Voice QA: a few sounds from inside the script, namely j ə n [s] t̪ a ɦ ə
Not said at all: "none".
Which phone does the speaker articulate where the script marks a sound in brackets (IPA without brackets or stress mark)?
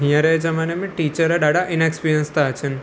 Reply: s